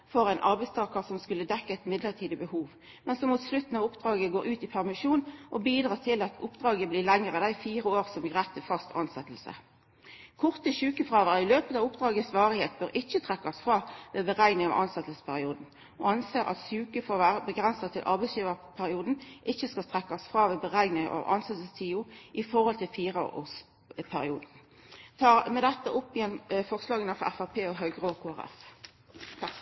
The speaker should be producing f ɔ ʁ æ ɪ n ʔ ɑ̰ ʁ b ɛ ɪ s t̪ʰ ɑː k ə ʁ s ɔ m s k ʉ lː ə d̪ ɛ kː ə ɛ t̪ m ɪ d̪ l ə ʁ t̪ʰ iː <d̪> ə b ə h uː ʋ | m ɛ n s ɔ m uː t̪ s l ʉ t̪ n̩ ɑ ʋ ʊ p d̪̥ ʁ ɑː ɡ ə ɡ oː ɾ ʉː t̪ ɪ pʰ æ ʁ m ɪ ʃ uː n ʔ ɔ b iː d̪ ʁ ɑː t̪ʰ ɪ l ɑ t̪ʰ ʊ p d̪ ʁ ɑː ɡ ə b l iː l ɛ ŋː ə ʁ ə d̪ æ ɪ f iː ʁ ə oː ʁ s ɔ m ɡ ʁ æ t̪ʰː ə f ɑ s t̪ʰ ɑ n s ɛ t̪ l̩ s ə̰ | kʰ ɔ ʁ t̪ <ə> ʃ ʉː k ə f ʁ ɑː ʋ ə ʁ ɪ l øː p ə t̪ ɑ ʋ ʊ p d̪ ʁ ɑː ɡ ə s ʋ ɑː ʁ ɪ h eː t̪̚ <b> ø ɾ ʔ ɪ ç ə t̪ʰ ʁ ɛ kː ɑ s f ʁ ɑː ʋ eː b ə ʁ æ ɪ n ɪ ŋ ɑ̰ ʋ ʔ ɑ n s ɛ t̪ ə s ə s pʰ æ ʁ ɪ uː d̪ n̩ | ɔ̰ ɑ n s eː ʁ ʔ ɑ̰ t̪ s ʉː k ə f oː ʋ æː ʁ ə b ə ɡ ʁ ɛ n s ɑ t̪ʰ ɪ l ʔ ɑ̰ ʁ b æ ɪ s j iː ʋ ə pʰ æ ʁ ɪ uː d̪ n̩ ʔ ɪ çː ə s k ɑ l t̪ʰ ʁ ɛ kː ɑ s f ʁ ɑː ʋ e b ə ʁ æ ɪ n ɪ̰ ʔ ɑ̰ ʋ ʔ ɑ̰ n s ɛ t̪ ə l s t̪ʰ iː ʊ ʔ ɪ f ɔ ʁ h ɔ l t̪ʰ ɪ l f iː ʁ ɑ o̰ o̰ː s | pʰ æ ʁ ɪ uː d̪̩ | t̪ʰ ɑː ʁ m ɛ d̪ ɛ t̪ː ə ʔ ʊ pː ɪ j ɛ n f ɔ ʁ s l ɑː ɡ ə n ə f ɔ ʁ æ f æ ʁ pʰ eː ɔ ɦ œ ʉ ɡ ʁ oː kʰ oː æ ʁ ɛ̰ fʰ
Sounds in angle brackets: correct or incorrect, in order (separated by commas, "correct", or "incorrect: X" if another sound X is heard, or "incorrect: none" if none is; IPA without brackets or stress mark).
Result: correct, correct, correct